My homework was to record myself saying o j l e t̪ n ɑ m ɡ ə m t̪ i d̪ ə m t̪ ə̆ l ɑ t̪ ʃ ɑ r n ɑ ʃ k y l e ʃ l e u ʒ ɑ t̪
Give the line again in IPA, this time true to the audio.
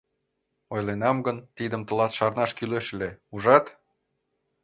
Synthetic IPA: o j l e n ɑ m ɡ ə n t̪ i d̪ ə m t̪ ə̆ l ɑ t̪ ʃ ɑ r n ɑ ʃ k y l e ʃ l e u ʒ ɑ t̪